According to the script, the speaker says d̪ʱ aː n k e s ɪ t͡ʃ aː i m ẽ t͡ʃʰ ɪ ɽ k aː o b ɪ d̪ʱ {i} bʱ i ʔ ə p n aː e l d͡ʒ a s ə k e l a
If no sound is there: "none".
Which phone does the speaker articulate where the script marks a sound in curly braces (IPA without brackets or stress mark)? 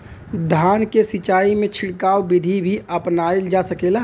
i